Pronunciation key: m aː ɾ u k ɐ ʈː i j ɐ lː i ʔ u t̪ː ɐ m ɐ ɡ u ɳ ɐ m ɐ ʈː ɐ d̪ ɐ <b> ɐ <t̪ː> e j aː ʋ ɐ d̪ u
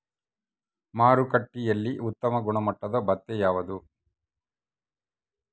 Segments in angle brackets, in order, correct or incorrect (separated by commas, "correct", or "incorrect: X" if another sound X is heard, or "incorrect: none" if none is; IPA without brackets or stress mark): correct, correct